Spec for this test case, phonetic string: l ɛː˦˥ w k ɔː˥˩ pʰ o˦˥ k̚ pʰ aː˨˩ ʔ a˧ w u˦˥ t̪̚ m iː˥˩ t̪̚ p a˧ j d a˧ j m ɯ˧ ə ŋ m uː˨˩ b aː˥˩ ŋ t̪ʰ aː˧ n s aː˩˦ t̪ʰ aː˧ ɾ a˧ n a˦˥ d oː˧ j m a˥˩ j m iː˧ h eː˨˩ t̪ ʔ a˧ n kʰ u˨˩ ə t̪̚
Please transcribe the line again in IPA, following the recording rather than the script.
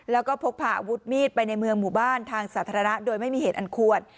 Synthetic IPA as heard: l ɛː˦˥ w k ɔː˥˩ pʰ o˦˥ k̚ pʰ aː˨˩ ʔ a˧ w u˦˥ t̪̚ m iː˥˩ t̪̚ p a˧ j n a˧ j m ɯ˧ ə ŋ m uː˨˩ b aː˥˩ n t̪ʰ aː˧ ŋ s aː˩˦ t̪ʰ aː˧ ɾ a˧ n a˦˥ d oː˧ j m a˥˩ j m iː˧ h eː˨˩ t̪ ʔ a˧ n kʰ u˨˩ ə t̪̚